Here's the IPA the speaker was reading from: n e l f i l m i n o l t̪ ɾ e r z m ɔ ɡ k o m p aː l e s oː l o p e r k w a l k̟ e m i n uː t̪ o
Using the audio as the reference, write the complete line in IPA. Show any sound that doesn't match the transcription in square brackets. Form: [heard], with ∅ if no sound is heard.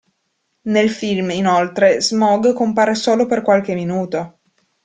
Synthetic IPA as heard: n e l f i l m i n o l t̪ ɾ e [∅] z m ɔ ɡ k o m p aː [ɾ] e s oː l o p e r k w a l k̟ e m i n uː t̪ o